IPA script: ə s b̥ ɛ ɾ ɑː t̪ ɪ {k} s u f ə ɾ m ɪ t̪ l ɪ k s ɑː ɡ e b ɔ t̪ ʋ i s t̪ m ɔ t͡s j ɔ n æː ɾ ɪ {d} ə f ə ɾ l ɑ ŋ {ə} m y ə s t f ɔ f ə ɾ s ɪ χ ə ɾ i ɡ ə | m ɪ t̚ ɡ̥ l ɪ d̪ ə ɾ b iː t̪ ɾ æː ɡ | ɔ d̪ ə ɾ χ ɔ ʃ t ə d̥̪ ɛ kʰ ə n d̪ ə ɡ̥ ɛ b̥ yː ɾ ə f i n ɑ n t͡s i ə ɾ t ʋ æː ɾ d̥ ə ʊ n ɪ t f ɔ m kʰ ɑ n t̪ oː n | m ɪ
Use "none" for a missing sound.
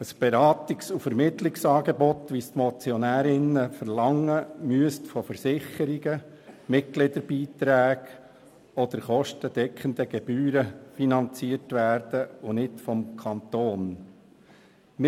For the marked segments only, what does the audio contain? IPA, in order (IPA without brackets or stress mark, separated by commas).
k, n, ə